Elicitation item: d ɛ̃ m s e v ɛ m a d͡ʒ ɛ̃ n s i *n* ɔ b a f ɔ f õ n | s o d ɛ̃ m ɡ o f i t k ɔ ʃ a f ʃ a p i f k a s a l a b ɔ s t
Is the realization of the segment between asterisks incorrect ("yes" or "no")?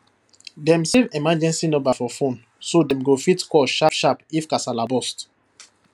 no